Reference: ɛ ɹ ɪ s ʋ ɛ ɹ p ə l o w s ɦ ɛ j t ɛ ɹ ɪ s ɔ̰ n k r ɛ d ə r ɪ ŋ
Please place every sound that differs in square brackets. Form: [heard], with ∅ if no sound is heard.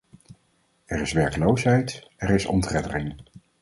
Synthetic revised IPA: ɛ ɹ ɪ s ʋ ɛ ɹ [k] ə l o w s ɦ ɛ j t ɛ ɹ ɪ s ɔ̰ n [t] r ɛ d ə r ɪ ŋ